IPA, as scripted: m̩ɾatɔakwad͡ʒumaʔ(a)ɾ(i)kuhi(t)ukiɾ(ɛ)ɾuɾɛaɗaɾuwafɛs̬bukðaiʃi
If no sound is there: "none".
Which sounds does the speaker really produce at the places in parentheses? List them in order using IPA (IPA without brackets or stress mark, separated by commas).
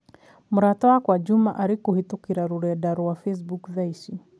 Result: a, i, t, a